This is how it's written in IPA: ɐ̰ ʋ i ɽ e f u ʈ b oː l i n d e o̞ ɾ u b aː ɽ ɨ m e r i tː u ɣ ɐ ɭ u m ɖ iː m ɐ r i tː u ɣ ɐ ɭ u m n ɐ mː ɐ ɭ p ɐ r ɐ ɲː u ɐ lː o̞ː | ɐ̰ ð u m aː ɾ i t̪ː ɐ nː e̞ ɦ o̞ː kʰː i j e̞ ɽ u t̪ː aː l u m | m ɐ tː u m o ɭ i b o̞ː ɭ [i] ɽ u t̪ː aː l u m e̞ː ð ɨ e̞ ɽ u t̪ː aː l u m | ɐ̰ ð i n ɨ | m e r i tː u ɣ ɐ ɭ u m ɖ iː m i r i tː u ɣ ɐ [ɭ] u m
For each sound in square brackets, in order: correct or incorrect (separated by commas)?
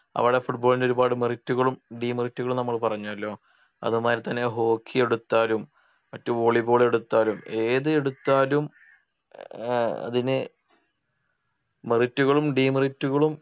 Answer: incorrect, correct